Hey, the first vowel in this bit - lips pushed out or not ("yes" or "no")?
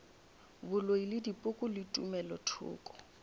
yes